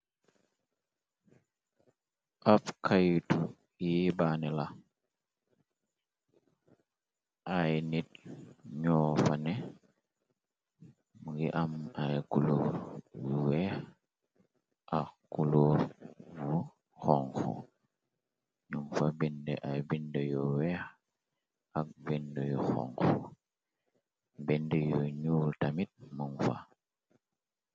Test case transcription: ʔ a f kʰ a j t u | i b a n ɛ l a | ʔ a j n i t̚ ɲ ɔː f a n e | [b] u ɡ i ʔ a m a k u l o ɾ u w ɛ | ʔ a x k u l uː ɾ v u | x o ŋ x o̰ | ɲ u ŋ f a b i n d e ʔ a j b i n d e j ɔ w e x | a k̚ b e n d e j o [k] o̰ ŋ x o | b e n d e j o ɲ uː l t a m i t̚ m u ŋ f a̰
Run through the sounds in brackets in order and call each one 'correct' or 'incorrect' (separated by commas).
incorrect, incorrect